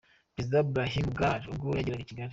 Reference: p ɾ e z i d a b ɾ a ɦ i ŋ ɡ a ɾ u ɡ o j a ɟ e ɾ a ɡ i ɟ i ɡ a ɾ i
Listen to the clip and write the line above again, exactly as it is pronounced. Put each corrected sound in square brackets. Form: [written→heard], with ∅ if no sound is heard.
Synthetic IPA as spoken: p ɾ e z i d a b ɾ a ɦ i [ŋ→m] ɡ a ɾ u ɡ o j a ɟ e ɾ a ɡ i [ɟ→c] i ɡ a ɾ i